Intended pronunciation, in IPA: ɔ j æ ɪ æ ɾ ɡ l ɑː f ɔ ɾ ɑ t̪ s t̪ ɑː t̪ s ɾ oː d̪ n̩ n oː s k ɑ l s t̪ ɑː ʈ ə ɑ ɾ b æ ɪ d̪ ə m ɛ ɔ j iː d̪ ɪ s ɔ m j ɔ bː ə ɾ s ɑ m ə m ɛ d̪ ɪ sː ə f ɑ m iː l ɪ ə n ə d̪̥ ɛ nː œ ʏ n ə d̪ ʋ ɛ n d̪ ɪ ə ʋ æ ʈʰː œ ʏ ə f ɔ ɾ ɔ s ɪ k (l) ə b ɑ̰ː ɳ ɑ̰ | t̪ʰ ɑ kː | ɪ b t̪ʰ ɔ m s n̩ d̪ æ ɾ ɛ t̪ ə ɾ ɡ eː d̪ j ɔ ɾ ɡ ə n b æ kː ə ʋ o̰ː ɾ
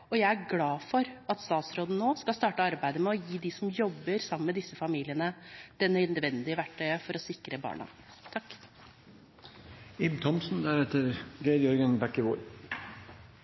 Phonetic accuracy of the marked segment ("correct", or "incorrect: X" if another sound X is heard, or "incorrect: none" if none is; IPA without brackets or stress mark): incorrect: ɾ